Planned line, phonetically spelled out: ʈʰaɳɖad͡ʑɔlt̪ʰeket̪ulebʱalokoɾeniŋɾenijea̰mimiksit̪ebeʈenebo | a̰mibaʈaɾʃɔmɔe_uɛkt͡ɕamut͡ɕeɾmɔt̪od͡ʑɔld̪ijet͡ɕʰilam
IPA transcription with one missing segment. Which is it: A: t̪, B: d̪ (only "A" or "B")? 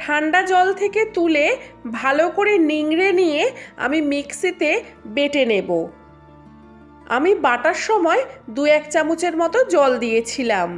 B